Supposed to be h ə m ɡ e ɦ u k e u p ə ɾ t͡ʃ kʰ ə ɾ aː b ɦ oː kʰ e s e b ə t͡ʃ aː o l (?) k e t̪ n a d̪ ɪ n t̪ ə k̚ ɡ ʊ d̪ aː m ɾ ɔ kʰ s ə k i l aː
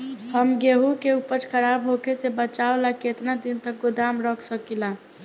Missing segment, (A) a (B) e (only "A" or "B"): A